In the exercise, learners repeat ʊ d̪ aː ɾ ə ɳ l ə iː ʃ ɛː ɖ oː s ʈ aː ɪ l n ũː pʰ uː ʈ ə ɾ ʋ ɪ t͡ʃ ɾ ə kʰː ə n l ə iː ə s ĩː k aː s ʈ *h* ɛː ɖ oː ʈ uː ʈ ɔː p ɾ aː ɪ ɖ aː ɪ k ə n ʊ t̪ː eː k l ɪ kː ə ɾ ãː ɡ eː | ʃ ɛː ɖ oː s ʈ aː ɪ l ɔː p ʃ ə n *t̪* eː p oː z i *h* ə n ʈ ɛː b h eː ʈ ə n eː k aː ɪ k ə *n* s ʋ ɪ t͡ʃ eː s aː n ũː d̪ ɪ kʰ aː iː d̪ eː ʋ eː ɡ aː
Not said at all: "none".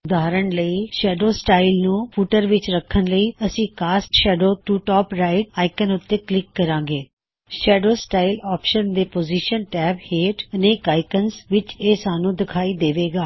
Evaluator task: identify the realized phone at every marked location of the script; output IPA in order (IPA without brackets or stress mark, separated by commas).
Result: ʃ, d̪, ʃ, n